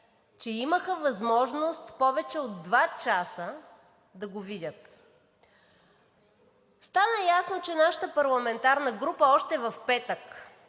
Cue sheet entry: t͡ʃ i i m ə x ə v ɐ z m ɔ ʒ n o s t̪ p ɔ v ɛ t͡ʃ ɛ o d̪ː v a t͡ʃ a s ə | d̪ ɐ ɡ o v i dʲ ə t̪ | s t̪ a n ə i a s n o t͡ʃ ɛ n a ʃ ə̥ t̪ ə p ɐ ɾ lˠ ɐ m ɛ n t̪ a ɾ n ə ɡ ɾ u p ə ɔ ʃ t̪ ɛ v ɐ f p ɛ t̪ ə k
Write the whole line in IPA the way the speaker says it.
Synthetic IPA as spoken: t͡ʃ ɛ i m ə x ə v ɐ z m ɔ ʒ n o s t̪ p ɔ v ɛ t͡ʃ ɛ o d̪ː v a t͡ʃ a s ə | d̪ ɐ ɡ o v i dʲ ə t̪ | s t̪ a n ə j a s n o t͡ʃ ɛ n a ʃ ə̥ t̪ ə p ɐ ɾ lˠ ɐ m ɛ n t̪ a ɾ n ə ɡ ɾ u p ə ɔ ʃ t̪ ɛ v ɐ f p ɛ t̪ ə k